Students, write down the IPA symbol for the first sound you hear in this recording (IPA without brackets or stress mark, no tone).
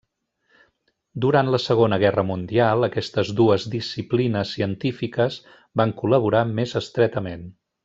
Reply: d̪